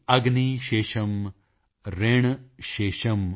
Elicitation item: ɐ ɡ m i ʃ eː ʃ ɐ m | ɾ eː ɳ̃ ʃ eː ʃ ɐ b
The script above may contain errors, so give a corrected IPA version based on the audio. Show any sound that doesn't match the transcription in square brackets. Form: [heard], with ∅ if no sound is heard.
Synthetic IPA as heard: ɐ ɡ [n] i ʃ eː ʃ ɐ m | ɾ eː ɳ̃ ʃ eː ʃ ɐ [m]